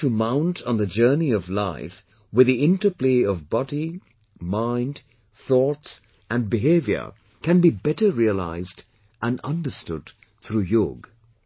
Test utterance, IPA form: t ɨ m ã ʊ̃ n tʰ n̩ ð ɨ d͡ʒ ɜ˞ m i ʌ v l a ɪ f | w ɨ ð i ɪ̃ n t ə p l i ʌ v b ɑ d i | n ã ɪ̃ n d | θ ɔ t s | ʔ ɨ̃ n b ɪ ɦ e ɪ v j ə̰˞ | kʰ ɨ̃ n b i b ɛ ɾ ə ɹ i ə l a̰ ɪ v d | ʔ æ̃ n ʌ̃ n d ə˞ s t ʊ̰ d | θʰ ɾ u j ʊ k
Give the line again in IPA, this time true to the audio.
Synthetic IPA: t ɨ m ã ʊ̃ n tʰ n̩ ð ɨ d͡ʒ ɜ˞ n i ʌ v l a ɪ f | w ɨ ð i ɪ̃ n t ə p l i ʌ v b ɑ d i | m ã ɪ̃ n d | θ ɔ t s | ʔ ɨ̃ n b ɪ ɦ e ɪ v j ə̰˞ | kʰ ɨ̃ n b i b ɛ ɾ ə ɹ i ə l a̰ ɪ z d | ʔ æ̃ n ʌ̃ n d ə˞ s t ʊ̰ d | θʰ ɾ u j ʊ ɡ